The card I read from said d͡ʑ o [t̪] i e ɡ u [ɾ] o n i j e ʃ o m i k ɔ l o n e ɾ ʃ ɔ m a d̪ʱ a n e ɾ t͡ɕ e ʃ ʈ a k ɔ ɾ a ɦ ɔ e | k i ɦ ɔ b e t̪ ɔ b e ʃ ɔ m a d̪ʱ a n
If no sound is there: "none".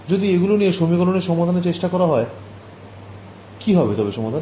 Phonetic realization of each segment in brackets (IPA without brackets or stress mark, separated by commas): d̪, l